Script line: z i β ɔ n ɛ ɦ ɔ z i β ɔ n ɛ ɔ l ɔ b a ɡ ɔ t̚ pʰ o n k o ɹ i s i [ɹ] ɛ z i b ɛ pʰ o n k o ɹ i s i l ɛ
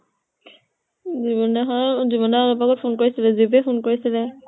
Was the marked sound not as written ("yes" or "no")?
yes